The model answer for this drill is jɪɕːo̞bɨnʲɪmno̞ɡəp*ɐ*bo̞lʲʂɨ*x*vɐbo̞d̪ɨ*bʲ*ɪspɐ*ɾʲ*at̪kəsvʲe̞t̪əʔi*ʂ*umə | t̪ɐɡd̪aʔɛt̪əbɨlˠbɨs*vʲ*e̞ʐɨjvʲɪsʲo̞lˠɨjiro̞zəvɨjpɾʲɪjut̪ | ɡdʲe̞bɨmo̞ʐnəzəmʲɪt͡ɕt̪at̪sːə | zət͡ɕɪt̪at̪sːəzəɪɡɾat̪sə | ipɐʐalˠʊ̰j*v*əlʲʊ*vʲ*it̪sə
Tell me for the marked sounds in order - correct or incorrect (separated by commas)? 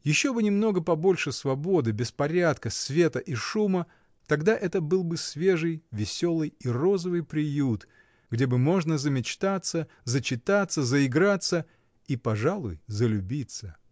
correct, incorrect, correct, correct, correct, correct, incorrect, incorrect